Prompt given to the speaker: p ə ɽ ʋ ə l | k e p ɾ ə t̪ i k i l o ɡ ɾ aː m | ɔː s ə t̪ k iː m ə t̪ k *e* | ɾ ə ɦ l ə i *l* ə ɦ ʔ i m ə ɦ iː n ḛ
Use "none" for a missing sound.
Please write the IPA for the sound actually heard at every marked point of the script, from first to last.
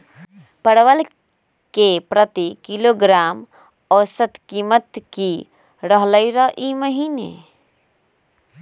i, ɾ

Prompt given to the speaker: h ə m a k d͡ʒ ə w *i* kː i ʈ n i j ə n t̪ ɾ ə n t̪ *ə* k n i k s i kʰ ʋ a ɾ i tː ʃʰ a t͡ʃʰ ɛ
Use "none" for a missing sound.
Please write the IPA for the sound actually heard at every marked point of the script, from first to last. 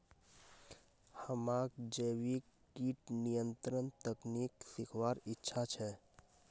i, ə

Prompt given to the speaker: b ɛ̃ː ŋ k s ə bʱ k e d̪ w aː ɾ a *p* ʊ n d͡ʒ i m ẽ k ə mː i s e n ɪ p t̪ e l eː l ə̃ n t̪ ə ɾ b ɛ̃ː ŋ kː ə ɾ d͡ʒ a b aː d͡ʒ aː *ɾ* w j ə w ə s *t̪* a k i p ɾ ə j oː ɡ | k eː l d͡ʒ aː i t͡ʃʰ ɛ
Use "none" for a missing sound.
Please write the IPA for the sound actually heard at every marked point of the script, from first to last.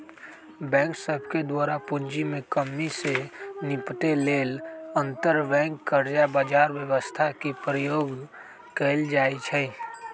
p, ɾ, t̪ʰ

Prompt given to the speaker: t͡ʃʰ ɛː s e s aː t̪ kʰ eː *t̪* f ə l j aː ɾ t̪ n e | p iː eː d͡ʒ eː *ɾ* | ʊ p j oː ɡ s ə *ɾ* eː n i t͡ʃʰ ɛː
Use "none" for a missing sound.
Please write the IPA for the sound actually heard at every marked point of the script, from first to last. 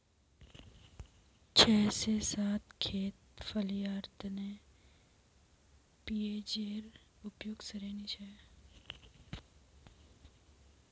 t̪, ɾ, ɾ

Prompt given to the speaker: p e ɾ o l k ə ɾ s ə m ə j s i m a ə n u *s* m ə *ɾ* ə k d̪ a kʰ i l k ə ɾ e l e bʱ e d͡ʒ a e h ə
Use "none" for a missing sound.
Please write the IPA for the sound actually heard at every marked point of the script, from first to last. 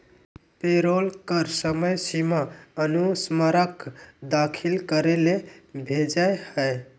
s, ɾ

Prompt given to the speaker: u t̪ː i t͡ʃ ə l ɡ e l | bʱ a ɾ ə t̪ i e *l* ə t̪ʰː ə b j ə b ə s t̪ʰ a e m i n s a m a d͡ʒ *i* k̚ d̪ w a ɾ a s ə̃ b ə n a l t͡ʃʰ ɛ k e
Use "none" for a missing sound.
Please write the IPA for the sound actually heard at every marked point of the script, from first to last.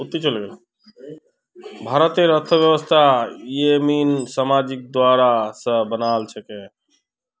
ɾ, i

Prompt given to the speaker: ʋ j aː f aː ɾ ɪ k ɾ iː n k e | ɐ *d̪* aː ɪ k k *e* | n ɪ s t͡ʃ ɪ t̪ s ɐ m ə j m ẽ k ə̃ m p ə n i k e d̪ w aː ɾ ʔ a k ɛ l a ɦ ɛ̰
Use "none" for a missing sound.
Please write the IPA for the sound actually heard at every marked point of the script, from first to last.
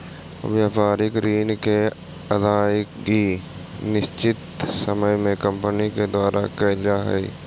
d̪, i

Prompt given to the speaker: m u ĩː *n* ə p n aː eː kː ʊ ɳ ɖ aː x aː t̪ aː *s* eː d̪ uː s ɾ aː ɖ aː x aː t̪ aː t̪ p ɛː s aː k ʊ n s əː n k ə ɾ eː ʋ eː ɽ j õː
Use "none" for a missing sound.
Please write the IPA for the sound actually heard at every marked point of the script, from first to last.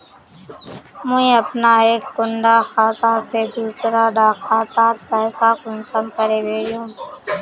none, s

